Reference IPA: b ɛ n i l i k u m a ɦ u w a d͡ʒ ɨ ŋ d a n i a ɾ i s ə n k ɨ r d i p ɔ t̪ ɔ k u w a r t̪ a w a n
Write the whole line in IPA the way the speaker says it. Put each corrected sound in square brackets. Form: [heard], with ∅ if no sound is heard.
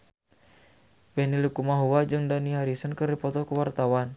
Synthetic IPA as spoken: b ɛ n i l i k u m a ɦ u w a d͡ʒ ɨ ŋ d a n i a ɾ i s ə n k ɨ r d i p ɔ t̪ ɔ k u w a r t̪ a w a n

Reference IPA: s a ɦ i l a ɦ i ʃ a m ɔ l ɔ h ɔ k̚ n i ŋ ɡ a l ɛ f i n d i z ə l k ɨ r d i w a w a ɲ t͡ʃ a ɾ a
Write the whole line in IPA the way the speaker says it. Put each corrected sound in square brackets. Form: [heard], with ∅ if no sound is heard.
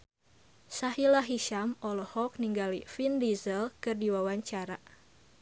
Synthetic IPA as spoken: s a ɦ i l a ɦ i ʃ a m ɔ l ɔ h ɔ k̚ n i ŋ ɡ a l [i] f i n d i z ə l k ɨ r d i w a w a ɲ t͡ʃ a ɾ a

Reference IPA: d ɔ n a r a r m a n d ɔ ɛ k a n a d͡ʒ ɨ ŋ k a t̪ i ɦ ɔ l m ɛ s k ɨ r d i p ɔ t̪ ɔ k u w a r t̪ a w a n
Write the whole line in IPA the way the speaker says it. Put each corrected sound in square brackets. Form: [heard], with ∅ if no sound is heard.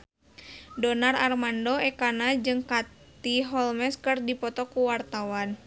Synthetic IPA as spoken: d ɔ n a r a r m a n d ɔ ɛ k a n a d͡ʒ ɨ ŋ k a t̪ i ɦ ɔ l m ɛ s k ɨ r d i p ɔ t̪ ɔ k u w a r t̪ a w a n

